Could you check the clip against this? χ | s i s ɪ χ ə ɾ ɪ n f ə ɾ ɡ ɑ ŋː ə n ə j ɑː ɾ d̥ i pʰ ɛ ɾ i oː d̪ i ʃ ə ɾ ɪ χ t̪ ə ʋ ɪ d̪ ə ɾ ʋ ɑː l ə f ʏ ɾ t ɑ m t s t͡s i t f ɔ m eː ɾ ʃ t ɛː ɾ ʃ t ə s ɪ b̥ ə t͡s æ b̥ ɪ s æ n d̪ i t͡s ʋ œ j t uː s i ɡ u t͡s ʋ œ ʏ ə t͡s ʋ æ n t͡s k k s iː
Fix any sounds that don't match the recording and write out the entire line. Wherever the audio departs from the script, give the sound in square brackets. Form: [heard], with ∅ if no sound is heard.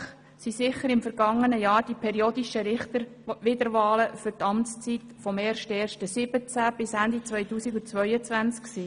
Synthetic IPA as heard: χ | s i s ɪ χ ə ɾ ɪ [m] f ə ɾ ɡ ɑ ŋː ə n ə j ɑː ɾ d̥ i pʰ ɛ ɾ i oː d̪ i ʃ ə ɾ ɪ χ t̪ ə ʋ ɪ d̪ ə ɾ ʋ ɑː l ə f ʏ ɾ t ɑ m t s t͡s i t f ɔ m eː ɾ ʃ t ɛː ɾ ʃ t ə s ɪ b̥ ə t͡s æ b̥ ɪ s æ n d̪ i t͡s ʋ œ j t uː s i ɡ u t͡s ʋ œ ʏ ə t͡s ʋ æ n t͡s k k s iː